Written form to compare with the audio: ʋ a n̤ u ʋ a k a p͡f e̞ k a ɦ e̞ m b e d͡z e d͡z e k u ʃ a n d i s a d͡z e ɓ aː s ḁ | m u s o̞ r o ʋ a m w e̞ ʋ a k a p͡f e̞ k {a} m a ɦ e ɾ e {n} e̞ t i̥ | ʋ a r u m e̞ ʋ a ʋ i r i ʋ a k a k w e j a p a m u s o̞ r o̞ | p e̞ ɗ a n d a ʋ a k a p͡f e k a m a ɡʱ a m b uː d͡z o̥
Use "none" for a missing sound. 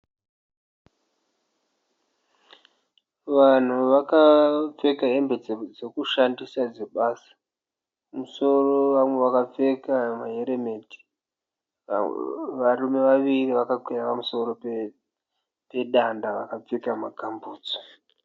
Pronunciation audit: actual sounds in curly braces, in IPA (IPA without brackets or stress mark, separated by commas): a, m